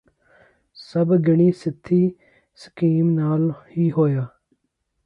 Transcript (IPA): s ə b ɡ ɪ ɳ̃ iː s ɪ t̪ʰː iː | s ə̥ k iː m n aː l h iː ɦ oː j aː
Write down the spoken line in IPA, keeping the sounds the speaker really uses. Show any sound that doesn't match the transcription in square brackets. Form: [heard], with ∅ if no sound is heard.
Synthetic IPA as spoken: s ə b ɡ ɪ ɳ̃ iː s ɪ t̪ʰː iː | s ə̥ k iː m n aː l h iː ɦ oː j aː